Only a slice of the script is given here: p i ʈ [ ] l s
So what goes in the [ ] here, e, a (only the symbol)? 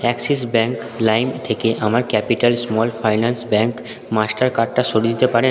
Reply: a